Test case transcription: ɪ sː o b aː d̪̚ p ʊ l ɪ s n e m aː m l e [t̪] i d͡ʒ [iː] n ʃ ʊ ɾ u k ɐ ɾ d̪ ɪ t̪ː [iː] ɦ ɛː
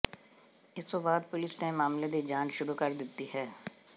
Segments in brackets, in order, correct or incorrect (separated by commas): incorrect, incorrect, incorrect